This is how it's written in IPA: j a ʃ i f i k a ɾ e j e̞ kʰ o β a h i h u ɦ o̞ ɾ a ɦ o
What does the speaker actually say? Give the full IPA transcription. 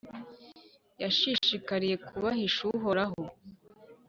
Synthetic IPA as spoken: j a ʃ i ʃ i k a ɾ i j e̞ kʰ u β a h i ʃ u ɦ o̞ ɾ a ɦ o